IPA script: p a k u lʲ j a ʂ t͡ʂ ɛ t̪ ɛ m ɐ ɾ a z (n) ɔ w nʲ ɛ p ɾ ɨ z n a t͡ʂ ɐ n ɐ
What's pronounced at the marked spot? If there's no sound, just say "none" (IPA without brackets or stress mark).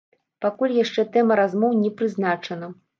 m